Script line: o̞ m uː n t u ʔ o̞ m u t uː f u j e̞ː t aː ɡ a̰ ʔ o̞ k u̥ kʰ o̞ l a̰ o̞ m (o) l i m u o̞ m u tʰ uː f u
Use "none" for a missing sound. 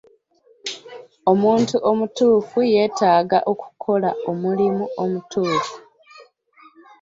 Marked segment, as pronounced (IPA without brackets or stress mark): u